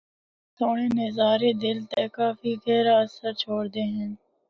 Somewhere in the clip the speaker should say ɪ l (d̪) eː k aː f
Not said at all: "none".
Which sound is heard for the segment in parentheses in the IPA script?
t̪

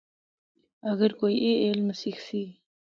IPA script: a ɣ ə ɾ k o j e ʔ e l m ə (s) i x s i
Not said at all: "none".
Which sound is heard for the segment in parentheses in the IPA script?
s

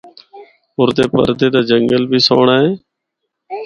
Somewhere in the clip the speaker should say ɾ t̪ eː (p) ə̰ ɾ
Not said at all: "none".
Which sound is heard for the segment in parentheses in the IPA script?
p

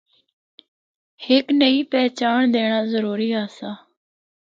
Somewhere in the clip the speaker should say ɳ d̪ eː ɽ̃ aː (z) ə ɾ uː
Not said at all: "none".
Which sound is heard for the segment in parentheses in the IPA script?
z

